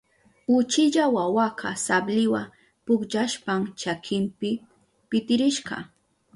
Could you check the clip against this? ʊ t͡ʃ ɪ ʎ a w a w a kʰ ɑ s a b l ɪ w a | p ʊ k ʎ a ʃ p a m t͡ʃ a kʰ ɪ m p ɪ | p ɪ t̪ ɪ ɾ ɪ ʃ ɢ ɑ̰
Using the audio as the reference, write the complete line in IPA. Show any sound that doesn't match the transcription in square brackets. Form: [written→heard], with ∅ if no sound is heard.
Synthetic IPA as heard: ʊ t͡ʃ ɪ ʎ a w a w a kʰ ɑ s a b l ɪ w a | p ʊ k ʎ a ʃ p a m t͡ʃ a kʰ ɪ m p ɪ | p ɪ t̪ ɪ ɾ ɪ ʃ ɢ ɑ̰